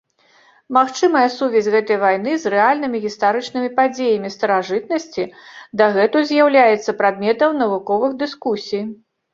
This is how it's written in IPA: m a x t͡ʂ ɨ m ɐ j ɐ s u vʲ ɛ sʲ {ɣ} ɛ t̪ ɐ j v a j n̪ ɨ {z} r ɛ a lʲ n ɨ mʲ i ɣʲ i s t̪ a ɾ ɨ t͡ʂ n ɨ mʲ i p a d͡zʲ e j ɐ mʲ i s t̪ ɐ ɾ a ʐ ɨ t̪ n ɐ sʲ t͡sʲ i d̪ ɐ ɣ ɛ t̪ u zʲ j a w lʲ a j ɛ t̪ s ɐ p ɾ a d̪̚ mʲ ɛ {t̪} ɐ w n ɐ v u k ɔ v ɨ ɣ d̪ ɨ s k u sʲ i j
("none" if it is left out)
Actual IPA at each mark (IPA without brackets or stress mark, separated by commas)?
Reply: ɣ, z, t̪